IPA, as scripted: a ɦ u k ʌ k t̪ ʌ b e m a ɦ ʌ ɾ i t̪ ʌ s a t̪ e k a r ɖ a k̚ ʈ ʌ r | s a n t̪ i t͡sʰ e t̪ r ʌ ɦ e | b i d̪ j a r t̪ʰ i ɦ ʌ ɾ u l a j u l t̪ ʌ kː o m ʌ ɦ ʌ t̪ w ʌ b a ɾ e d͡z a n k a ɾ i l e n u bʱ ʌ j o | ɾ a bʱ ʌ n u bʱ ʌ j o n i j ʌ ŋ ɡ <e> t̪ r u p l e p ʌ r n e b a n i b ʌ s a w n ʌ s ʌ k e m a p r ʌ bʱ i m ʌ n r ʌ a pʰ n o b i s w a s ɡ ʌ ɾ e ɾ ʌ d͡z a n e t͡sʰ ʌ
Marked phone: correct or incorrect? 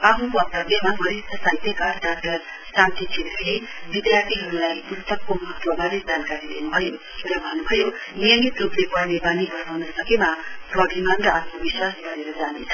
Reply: incorrect